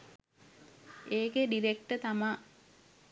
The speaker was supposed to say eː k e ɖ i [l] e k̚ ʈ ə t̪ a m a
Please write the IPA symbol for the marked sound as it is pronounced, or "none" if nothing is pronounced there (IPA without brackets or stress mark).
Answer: ɾ